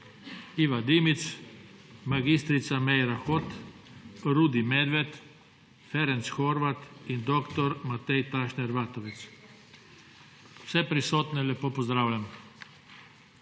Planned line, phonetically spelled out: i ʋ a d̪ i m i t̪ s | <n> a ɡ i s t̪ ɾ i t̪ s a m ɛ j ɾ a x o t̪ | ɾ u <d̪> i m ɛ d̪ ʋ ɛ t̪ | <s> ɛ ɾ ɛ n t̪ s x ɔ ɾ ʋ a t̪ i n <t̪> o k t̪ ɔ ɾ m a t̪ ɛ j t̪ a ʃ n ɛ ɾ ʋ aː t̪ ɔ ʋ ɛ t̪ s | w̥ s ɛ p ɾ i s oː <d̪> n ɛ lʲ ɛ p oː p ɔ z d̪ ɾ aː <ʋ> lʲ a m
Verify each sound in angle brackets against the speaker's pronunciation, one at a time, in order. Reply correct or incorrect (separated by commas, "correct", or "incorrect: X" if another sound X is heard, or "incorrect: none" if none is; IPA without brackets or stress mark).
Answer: incorrect: m, correct, incorrect: f, incorrect: d̪, incorrect: t̪, incorrect: w